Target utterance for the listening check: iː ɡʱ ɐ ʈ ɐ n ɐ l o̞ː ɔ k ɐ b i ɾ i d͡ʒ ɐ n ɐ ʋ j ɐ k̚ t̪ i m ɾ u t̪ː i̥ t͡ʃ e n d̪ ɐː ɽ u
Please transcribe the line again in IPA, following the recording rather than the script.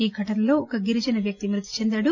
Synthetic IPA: iː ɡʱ ɐ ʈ ɐ n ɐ l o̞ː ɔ k ɐ ɡ i ɾ i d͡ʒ ɐ n ɐ ʋ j ɐ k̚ t̪ i m ɾ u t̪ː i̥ t͡ʃ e n d̪ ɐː ɽ u